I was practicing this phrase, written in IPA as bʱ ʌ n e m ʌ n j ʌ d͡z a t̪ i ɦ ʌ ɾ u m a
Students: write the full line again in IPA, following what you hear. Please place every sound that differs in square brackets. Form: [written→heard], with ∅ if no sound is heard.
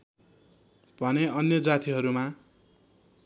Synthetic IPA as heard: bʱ ʌ n e [m→∅] ʌ n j ʌ d͡z a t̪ i ɦ ʌ ɾ u m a